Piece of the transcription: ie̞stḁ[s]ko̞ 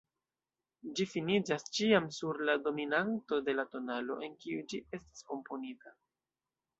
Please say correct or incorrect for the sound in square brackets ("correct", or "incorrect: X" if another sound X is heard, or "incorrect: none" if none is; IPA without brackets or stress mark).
correct